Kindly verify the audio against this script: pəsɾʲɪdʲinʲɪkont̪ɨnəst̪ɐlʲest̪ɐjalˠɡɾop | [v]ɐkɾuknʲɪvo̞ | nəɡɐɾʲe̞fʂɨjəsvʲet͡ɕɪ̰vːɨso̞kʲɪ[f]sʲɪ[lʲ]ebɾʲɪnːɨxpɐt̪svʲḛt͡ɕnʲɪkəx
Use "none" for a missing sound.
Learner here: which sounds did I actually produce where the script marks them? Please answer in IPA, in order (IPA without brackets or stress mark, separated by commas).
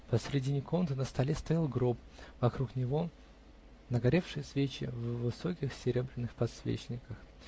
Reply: v, x, ɾʲ